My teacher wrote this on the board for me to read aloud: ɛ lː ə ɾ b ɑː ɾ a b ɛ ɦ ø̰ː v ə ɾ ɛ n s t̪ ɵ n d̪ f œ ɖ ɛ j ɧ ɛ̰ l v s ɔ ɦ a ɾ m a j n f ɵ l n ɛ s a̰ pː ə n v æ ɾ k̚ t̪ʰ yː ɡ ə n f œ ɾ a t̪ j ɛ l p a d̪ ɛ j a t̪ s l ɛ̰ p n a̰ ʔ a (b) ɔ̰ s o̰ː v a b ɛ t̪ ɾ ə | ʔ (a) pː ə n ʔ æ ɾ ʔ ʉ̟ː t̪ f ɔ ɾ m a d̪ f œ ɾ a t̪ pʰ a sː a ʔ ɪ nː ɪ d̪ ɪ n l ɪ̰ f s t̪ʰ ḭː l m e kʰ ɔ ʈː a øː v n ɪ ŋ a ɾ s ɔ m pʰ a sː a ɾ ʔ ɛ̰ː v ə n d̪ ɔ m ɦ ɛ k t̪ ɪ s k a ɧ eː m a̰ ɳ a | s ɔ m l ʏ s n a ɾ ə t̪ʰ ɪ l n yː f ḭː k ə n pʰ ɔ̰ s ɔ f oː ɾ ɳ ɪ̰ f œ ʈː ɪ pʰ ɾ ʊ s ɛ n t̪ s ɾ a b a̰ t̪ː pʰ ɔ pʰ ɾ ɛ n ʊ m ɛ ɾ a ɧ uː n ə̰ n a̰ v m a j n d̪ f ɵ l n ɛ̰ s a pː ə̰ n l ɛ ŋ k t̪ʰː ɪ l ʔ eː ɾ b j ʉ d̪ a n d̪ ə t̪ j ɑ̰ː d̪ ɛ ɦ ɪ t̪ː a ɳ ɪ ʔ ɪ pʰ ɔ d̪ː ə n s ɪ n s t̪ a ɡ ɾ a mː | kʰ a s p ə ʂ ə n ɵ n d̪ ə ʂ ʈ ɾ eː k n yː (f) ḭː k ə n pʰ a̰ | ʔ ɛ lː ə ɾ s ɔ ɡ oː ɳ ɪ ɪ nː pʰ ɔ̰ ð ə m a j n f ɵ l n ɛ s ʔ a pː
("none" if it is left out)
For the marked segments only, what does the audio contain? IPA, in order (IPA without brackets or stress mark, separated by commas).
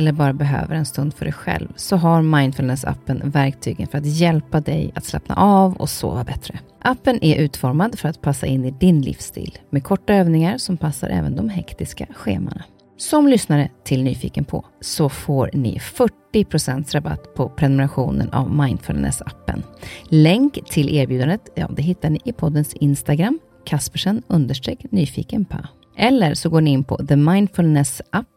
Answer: v, a, f